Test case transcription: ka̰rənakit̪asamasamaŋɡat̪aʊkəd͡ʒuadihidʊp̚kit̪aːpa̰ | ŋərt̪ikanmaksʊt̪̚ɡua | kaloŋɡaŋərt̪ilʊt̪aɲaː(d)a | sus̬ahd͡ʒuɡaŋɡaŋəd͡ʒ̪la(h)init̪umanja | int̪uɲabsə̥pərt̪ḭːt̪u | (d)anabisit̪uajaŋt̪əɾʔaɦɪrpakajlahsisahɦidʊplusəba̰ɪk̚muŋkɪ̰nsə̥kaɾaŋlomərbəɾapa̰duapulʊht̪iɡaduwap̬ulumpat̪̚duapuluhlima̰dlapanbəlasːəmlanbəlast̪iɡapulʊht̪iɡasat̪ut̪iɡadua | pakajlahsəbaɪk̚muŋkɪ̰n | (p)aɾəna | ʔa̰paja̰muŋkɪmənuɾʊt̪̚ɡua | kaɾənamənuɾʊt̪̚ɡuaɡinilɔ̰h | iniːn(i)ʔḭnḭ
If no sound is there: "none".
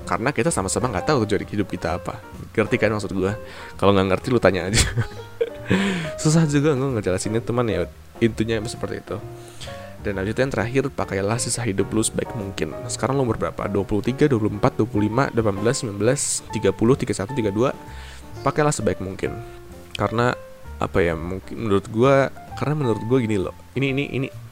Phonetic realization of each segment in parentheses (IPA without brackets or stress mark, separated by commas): d͡ʒ, s, d, k, i